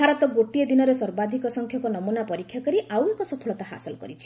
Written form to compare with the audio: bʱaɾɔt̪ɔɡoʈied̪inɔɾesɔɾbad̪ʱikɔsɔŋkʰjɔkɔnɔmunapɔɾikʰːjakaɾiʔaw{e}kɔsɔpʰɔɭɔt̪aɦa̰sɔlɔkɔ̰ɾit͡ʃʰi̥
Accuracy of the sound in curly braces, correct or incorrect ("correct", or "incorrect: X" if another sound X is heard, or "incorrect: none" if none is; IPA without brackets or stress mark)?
correct